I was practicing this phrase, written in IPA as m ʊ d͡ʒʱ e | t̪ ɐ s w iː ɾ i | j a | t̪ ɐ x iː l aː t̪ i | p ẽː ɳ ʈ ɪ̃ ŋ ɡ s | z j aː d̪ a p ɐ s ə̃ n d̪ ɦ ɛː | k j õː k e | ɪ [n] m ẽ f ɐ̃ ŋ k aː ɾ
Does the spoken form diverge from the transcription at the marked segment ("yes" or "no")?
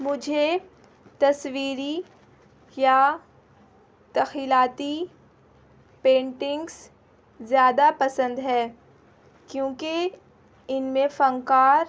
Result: no